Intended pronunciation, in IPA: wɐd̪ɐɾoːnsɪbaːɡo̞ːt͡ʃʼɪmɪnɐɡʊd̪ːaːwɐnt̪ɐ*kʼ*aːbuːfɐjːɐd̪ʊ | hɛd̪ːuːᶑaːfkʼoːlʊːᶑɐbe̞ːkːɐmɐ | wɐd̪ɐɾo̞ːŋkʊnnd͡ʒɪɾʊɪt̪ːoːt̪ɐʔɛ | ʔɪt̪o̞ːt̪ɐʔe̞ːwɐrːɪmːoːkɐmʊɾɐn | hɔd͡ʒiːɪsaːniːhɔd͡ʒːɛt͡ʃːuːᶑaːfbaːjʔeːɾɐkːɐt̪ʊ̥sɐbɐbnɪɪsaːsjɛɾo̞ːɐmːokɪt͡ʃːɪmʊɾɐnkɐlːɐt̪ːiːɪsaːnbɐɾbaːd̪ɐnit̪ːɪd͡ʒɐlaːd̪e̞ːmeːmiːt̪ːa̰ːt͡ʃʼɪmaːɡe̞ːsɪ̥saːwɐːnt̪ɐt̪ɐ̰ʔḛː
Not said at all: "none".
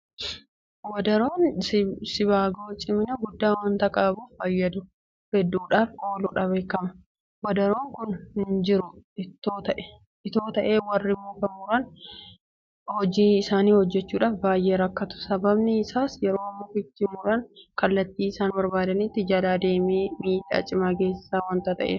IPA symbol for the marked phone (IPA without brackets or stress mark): kʼ